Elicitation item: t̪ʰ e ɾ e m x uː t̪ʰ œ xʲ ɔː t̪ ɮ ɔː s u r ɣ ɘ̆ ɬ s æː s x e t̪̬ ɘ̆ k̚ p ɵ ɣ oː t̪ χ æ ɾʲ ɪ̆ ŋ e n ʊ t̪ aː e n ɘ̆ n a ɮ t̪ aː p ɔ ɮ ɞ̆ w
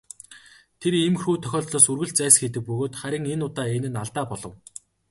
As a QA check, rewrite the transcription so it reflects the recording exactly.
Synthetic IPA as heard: t̪ʰ e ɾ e m x uː t̪ʰ œ xʲ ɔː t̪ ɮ ɔː s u r ɣ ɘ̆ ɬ t͡s æː s x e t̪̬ ɘ̆ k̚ p ɵ ɣ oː t̪ χ æ ɾʲ ɪ̆ ŋ e n ʊ t̪ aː e n ɘ̆ n a ɮ t̪ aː p ɔ ɮ ɞ̆ w